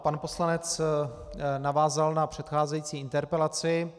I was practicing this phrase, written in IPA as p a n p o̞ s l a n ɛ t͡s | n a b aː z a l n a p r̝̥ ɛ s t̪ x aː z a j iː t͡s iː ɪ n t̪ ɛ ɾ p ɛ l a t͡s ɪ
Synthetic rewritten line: p a n p o̞ s l a n ɛ t͡s | n a v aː z a l n a p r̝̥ ɛ t̪ x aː z ɛ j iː t͡s iː ɪ n t̪ ɛ ɾ p ɛ l a t͡s ɪ